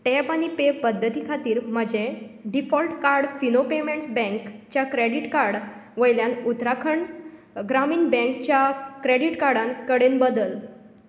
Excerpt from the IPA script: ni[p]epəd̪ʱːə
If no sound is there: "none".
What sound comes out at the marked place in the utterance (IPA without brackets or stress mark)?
p